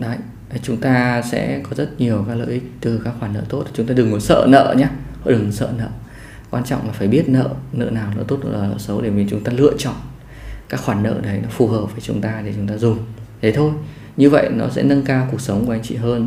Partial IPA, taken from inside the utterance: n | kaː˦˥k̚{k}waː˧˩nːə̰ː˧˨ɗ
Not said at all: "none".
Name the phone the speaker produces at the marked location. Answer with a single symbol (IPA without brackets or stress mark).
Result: x